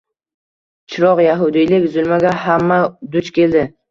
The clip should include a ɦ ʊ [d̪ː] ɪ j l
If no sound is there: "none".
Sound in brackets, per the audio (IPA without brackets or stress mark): d̪